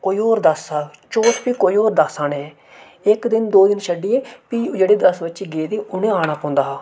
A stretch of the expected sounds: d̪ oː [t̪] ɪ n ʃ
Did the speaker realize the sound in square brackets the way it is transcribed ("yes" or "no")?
no